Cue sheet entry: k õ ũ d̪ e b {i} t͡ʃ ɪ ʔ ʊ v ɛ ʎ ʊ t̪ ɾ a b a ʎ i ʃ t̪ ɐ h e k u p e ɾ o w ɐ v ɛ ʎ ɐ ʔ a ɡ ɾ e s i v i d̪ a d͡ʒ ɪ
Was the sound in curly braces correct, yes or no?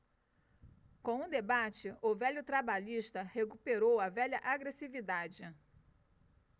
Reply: no